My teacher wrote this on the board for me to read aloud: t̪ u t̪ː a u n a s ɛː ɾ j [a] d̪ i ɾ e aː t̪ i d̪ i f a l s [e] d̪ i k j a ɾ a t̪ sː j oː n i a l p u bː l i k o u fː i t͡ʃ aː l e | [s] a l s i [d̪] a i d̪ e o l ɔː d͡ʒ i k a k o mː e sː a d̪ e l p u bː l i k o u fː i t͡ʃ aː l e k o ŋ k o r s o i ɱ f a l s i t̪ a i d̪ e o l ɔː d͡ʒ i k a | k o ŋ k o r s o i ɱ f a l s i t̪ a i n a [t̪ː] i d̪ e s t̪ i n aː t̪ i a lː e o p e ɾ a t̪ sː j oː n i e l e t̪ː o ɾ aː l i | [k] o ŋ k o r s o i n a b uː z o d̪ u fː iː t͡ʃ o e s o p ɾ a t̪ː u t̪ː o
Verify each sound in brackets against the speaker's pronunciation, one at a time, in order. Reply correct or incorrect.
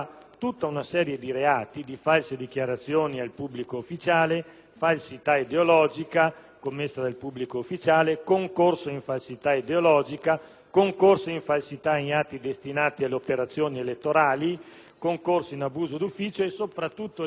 incorrect: e, correct, incorrect: f, incorrect: t̪, correct, correct

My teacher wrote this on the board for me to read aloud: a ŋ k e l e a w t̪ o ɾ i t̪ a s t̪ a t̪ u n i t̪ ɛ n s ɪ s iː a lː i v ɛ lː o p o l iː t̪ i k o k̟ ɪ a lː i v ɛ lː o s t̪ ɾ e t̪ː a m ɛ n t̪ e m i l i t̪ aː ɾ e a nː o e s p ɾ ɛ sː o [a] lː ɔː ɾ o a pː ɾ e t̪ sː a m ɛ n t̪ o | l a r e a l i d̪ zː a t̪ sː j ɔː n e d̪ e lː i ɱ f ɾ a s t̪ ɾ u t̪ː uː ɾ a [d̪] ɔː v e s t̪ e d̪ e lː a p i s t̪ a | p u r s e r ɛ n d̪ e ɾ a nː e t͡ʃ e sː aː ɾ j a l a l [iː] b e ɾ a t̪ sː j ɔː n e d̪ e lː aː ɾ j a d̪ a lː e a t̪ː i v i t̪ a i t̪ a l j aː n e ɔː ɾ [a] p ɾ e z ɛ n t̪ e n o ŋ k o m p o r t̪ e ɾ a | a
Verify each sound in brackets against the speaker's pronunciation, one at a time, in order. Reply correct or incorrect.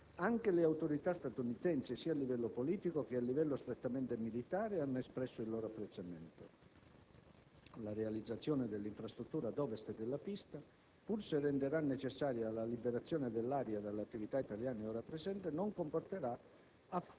incorrect: i, correct, incorrect: i, correct

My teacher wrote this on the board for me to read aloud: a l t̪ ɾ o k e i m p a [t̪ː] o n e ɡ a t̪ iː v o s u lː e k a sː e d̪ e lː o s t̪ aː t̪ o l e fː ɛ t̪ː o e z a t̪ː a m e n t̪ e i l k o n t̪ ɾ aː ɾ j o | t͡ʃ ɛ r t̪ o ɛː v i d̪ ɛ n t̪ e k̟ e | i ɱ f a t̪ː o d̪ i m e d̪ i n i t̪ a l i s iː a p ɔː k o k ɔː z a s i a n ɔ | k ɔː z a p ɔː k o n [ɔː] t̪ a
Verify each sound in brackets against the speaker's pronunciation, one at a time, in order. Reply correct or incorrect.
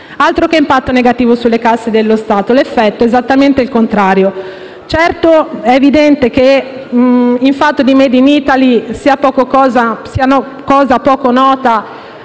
correct, correct

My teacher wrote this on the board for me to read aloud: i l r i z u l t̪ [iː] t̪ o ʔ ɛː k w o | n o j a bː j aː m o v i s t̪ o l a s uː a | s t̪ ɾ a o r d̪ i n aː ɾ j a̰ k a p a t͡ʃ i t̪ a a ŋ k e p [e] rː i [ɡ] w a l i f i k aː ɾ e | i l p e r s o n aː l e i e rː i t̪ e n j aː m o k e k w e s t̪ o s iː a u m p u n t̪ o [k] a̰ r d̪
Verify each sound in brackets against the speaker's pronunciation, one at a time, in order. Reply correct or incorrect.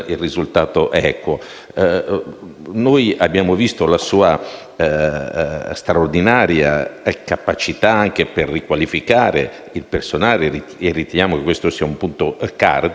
incorrect: aː, correct, incorrect: k, correct

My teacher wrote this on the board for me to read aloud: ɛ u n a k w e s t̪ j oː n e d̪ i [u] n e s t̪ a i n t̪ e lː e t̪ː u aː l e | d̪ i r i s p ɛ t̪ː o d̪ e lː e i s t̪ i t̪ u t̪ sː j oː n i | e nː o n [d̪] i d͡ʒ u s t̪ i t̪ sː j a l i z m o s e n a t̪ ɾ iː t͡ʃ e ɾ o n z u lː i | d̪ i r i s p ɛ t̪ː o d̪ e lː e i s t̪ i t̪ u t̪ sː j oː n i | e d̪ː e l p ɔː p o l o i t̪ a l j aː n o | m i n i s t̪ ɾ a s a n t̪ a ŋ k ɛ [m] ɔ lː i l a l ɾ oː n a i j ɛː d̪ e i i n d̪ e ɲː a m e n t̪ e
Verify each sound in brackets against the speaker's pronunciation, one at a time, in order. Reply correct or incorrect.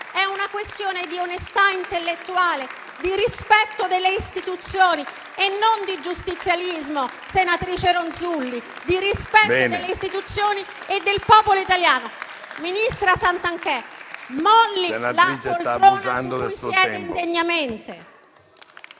incorrect: o, correct, correct

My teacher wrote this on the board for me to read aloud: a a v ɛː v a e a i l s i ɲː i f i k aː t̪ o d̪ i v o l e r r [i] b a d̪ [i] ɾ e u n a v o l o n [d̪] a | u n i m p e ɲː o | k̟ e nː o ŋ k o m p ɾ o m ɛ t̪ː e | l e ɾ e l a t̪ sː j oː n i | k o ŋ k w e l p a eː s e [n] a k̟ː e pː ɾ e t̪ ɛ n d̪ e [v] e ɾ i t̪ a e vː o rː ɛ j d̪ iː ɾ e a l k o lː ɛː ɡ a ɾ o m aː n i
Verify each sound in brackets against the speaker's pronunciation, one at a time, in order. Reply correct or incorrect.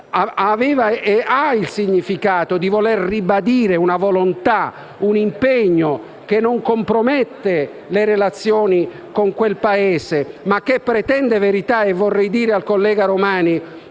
correct, incorrect: iː, incorrect: t̪, incorrect: m, correct

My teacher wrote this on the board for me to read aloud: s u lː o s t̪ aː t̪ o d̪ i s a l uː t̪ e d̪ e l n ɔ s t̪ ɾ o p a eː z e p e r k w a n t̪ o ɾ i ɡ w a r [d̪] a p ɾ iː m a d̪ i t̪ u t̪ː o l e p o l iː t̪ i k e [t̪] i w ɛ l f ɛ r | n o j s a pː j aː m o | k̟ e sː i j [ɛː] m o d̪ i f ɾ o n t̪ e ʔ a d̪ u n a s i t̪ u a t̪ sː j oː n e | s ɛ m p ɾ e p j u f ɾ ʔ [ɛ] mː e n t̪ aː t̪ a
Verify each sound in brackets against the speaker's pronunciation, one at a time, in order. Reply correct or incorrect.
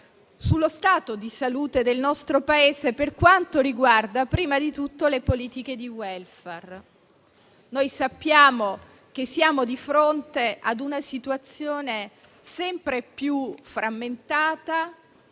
correct, incorrect: d̪, incorrect: aː, incorrect: a

